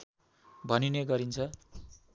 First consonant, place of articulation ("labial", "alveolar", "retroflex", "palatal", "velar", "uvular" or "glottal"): labial